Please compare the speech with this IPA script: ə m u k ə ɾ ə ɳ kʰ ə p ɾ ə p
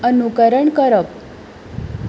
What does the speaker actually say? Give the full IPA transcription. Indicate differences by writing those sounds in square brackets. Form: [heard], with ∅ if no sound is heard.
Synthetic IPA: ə [n] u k ə ɾ ə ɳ [k] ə [∅] ɾ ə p